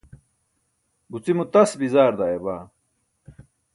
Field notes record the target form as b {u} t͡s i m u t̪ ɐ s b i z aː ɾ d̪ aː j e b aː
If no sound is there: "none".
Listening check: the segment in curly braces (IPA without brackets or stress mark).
u